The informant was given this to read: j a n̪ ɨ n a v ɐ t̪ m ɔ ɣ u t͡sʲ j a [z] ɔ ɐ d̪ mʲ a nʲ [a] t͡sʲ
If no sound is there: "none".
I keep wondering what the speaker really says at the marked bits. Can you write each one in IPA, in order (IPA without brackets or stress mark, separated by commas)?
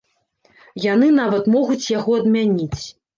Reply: ɣ, i